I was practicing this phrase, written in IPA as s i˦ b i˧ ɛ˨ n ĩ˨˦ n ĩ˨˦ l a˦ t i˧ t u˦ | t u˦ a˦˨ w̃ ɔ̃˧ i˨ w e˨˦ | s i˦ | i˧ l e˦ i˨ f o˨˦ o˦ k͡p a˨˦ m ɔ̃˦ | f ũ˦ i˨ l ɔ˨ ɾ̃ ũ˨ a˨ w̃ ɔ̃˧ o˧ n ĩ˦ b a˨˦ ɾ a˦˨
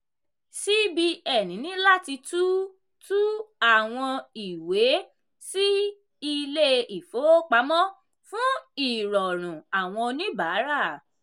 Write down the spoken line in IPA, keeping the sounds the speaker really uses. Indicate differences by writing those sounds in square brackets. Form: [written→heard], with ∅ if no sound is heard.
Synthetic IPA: s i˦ b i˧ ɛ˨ n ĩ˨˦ n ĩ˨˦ l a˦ t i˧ t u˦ | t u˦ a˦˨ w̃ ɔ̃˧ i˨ w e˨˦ | s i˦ | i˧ l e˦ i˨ f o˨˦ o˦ k͡p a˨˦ m ɔ̃˦ | f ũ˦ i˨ [l→ɾ] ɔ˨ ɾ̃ ũ˨ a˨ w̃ ɔ̃˧ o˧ n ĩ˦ b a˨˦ ɾ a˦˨